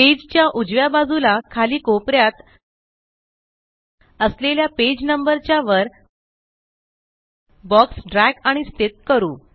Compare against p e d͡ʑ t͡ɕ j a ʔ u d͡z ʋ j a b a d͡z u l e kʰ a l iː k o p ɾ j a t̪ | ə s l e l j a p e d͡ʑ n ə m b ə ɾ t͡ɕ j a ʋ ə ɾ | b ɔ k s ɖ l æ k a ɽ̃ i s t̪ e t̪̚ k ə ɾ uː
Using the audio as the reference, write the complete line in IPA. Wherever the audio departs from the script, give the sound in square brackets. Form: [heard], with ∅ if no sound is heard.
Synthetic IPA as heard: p e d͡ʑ t͡ɕ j a ʔ u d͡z ʋ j a b a d͡z u l [a] kʰ a l iː k o p ɾ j a t̪ | ə s l e l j a p e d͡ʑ n ə m b ə ɾ t͡ɕ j a ʋ ə ɾ | b ɔ k s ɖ [ɾ] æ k a ɽ̃ i s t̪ e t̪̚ k ə ɾ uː

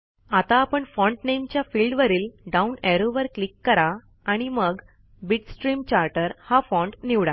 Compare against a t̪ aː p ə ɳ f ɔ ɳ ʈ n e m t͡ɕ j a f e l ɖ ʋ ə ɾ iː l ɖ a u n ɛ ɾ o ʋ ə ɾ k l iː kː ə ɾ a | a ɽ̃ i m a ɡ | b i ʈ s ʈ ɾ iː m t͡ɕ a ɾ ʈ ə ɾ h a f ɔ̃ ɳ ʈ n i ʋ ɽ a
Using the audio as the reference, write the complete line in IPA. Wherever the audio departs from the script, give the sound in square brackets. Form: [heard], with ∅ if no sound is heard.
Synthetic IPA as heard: a t̪ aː p ə ɳ f ɔ ɳ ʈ n e m t͡ɕ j a f [i] l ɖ ʋ ə ɾ iː l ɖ a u n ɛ ɾ o ʋ ə ɾ k l [i] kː ə ɾ a | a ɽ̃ i m [ə] ɡ | b i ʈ s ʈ ɾ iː m t͡ɕ a ɾ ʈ ə ɾ h a f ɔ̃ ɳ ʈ n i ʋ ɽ a

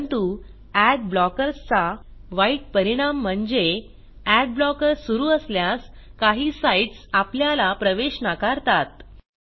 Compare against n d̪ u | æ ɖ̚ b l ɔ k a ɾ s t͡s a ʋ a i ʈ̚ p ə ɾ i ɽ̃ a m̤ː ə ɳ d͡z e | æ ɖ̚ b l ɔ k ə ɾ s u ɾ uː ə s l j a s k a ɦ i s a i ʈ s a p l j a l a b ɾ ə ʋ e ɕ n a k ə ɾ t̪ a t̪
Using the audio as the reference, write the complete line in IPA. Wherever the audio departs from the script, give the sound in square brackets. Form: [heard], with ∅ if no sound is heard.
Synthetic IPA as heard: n [t̪] u | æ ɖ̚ b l ɔ k [ə] ɾ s t͡s a ʋ a i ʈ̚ p ə ɾ i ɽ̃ a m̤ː ə ɳ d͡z e | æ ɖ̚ b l ɔ k ə ɾ s u ɾ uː ə s l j a s k a ɦ [iː] s a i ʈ s a p l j a l a [p] ɾ ə ʋ e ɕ n a k [a] ɾ t̪ a t̪

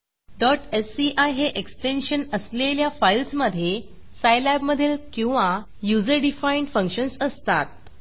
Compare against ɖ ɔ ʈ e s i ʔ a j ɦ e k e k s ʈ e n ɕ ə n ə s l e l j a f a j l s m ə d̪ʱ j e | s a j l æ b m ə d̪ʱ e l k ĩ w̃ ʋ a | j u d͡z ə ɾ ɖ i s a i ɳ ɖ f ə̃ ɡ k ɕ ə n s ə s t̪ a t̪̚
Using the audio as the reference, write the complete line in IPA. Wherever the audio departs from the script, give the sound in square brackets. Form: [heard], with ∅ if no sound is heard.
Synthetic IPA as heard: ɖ ɔ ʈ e s i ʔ a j ɦ e [ʔ] e k s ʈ e n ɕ ə n ə s l e l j a f a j l s m ə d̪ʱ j e | s a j l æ b m ə d̪ʱ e l k ĩ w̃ ʋ a | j u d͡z ə ɾ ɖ i [f] a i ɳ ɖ f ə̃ [ŋ] k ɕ ə n s ə s t̪ a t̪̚

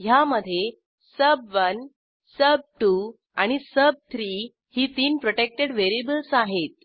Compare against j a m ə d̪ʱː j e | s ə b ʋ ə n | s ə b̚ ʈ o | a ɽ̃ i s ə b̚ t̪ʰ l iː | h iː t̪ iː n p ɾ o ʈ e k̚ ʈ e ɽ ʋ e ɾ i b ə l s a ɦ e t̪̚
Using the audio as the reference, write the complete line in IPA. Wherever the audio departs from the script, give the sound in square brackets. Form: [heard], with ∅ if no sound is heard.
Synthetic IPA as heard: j a m ə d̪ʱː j e | s ə b ʋ ə n | s ə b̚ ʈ [u] | a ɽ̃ i s ə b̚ t̪ʰ [ɾ] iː | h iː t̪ iː n p ɾ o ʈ e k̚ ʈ e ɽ ʋ e ɾ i b ə l s a ɦ e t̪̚

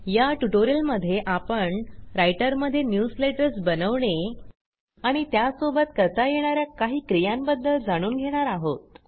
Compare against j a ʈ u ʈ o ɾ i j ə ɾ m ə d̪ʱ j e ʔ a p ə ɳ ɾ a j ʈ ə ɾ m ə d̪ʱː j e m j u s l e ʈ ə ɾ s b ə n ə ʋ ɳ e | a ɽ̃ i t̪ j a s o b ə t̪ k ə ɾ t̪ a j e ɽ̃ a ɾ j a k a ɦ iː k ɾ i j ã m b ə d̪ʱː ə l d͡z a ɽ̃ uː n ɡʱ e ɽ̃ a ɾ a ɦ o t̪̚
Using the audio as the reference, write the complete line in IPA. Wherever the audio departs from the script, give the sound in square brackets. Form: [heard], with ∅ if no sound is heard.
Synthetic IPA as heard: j a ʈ u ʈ o ɾ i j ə [l] m ə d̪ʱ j e ʔ a p ə ɳ ɾ a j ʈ ə ɾ m ə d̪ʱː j e [n] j u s l e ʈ ə ɾ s b ə n ə ʋ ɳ e | a ɽ̃ i t̪ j a s o b ə t̪ k ə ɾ t̪ a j e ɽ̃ a ɾ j a k a ɦ iː k ɾ i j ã m b ə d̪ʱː ə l d͡z a ɽ̃ uː n ɡʱ e ɽ̃ a ɾ a ɦ o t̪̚

